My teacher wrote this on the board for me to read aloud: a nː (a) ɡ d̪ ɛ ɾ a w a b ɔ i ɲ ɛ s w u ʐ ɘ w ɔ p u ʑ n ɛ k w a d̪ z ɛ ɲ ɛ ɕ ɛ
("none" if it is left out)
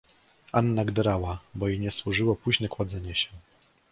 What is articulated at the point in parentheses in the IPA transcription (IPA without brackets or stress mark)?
a